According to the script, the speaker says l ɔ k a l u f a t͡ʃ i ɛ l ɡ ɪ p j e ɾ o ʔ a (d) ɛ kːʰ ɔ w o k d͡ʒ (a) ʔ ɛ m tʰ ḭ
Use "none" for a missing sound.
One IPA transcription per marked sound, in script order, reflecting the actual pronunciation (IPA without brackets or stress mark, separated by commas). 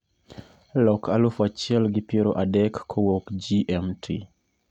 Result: d, i